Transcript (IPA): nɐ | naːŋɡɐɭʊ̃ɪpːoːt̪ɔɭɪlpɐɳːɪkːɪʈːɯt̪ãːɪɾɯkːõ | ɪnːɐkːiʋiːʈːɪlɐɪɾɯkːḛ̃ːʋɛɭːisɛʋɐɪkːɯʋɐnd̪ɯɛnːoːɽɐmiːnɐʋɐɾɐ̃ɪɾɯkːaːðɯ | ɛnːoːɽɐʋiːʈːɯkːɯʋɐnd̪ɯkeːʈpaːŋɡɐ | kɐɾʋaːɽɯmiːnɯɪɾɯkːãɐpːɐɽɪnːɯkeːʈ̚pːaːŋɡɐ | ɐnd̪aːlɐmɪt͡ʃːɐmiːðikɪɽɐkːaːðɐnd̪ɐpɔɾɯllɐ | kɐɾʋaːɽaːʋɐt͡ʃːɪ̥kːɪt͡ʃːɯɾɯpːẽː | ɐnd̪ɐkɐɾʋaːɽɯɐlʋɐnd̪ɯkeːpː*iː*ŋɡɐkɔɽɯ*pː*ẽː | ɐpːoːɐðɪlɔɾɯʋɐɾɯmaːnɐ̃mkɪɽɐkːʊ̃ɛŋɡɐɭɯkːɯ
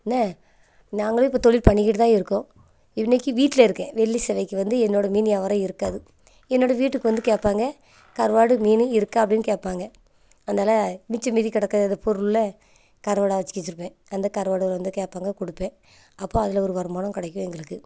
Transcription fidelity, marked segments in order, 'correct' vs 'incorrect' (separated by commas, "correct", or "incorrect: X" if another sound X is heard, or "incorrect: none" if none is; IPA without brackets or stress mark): incorrect: aː, correct